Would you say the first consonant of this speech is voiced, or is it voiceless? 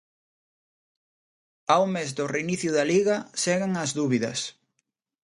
voiced